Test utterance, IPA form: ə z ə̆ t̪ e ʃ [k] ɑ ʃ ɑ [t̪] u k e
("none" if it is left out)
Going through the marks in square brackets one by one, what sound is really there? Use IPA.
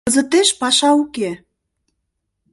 p, none

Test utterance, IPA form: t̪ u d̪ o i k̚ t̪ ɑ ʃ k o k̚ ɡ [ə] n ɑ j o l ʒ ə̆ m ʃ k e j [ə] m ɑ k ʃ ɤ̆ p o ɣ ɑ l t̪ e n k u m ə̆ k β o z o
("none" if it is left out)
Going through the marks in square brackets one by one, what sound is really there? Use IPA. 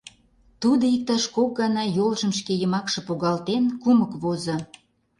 ɑ, ə

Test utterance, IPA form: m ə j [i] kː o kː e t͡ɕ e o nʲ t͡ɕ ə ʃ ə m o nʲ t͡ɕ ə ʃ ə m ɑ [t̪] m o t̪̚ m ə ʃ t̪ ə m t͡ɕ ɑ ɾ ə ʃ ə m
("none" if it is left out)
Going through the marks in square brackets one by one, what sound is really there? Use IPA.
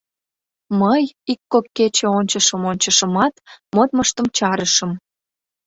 i, t̪

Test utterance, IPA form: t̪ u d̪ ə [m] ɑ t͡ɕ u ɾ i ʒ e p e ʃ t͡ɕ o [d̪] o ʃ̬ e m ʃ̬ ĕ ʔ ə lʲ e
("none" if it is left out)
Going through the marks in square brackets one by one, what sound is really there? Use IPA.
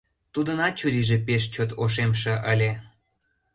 n, t̪

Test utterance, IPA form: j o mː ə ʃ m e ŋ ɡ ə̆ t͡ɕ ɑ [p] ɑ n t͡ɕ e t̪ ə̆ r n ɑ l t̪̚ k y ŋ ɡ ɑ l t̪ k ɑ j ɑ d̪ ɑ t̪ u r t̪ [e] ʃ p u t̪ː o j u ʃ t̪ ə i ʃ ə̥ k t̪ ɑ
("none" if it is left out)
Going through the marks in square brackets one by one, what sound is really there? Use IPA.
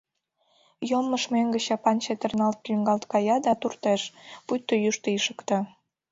p, e

